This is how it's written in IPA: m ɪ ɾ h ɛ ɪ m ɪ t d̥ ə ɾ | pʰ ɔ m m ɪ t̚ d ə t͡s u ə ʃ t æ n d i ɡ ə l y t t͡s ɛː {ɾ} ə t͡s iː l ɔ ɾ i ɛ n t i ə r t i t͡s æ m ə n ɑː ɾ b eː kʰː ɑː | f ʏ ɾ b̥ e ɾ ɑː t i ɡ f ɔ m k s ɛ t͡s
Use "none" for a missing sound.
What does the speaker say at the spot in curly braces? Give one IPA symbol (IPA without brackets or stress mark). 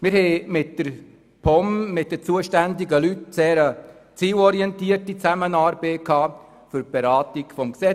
ɾ